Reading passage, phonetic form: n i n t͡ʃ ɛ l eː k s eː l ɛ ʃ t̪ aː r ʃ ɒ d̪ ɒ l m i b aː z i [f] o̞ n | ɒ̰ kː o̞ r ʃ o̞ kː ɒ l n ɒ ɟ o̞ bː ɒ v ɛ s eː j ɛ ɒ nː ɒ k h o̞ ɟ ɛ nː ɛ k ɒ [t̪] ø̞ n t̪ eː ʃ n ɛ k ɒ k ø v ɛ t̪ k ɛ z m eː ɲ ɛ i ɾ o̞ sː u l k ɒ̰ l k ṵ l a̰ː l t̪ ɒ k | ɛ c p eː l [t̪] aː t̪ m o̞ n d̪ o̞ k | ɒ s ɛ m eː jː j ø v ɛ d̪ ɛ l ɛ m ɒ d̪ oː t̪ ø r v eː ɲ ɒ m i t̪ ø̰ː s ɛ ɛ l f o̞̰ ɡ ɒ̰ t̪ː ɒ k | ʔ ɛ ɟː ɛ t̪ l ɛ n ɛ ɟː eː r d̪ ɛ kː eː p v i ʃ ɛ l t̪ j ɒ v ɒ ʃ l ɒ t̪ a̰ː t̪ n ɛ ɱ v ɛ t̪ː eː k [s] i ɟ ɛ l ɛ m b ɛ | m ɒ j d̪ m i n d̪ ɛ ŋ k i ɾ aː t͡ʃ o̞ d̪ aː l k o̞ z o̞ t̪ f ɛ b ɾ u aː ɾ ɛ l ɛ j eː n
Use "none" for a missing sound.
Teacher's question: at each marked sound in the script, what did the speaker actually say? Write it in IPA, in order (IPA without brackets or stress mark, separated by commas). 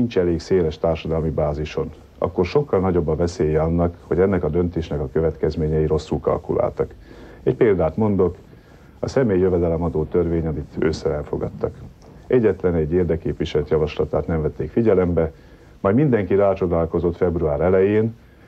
ʃ, d̪, d̪, f